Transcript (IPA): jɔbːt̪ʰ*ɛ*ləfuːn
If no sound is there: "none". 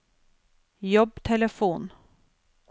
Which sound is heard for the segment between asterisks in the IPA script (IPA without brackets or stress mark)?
ɛ